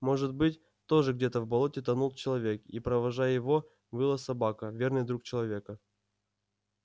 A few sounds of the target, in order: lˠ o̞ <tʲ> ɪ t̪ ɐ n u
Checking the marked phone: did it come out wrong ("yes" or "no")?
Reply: no